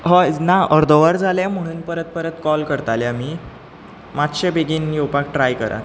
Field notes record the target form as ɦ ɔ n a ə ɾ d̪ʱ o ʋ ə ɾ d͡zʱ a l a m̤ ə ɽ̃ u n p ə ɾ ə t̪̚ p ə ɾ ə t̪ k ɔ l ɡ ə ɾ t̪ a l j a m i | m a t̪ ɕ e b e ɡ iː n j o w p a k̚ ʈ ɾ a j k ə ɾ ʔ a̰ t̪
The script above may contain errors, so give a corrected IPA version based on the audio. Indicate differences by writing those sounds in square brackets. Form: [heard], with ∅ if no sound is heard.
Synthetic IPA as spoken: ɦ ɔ n a ə ɾ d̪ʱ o ʋ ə ɾ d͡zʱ a l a m̤ ə ɽ̃ [uː] n p ə ɾ ə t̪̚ p ə ɾ ə t̪ k ɔ l [k] ə ɾ t̪ a l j a m i | m a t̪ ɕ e b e ɡ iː n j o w p a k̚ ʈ ɾ a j k ə ɾ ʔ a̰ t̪